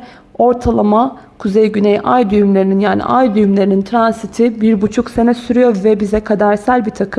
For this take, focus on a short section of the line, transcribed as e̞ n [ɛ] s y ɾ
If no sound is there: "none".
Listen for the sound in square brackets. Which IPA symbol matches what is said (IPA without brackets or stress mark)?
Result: ɛ